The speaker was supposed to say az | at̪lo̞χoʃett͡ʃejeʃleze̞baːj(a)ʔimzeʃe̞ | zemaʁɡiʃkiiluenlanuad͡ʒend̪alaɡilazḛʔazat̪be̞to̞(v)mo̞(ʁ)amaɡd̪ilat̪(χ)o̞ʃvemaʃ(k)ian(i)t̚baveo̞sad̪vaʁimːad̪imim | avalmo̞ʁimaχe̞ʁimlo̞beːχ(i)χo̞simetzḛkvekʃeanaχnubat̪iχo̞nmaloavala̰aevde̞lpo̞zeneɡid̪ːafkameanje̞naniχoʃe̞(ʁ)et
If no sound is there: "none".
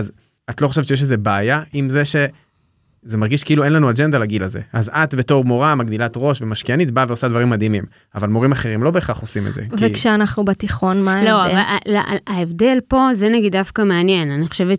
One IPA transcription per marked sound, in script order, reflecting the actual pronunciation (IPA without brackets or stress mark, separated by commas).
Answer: a, ʁ, ʁ, ʁ, k, i, a, v